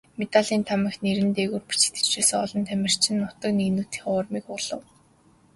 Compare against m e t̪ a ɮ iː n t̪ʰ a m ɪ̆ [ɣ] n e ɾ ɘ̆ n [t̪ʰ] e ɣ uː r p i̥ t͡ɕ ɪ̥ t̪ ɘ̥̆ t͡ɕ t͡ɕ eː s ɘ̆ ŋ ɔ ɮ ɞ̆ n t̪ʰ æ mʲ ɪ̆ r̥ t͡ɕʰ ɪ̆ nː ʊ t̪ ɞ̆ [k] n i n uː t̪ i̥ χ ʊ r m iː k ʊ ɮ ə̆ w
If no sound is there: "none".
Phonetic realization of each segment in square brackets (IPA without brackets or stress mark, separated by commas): x, t̪, k